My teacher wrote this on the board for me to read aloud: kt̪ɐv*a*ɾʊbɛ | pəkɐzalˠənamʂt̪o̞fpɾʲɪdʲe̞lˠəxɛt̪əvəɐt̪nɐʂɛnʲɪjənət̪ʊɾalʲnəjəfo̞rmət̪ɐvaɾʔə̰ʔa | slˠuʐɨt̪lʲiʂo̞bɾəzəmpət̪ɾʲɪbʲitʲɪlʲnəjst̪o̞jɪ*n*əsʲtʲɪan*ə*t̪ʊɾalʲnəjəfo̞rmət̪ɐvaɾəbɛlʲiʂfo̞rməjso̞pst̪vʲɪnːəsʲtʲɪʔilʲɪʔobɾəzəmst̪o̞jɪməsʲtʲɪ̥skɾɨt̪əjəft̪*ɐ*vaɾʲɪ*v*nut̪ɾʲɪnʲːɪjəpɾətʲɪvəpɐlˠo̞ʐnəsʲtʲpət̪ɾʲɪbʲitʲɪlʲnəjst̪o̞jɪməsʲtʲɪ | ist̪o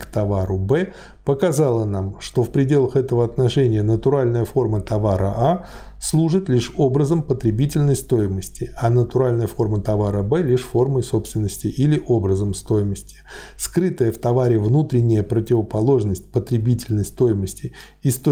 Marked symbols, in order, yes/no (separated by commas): yes, no, yes, yes, yes